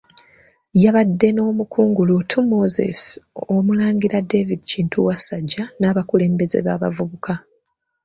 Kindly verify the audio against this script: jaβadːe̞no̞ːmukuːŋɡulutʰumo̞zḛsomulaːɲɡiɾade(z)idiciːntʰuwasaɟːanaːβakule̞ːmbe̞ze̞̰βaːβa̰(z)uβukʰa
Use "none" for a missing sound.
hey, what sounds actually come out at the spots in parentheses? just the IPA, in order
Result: v, v

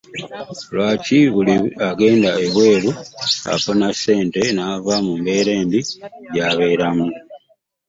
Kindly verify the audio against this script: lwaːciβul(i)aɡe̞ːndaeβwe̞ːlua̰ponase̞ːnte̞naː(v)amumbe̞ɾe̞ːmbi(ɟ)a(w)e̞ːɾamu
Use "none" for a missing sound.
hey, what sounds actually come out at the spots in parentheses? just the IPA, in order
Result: i, v, ɟ, β

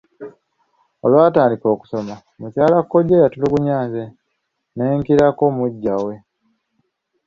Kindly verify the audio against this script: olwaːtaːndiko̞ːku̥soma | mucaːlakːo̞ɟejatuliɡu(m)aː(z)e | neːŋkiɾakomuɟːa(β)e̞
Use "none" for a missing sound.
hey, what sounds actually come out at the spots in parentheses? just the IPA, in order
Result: ɲ, z, w

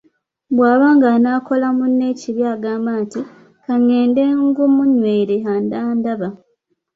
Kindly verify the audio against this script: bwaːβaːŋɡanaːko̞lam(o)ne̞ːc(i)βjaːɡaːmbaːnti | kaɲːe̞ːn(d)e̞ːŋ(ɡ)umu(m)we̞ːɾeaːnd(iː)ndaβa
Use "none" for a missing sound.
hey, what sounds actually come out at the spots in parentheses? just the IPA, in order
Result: u, i, d, ɡ, ɲ, aː

